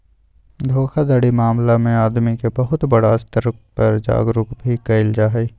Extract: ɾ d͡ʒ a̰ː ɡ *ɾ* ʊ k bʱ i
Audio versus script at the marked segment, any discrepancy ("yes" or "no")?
no